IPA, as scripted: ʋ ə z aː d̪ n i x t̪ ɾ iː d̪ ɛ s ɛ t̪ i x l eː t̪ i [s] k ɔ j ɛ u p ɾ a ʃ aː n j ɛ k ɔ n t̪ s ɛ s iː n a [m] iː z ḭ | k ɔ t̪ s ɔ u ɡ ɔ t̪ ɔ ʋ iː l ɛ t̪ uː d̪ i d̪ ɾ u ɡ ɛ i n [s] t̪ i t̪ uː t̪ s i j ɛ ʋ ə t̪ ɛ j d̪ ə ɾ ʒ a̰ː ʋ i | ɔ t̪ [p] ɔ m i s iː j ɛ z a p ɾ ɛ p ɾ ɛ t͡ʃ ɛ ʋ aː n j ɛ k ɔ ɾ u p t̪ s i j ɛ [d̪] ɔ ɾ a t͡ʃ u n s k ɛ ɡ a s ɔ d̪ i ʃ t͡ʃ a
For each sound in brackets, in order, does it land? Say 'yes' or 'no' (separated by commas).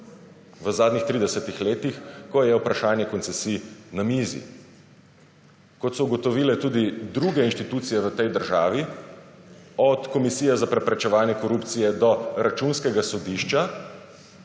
no, yes, no, no, yes